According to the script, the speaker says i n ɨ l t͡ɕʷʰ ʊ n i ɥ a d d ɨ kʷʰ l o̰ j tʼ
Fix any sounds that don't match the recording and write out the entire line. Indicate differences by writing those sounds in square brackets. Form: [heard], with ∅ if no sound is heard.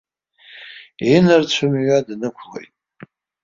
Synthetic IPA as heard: i n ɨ [r] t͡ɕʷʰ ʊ [m] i ɥ a d [n] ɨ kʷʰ l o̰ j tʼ